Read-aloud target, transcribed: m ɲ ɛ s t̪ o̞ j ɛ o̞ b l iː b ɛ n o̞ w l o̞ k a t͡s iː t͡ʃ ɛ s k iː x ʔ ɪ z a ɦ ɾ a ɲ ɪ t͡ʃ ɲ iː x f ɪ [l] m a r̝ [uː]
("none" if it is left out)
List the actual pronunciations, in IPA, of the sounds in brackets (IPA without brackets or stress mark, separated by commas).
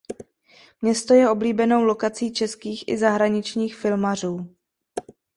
l, uː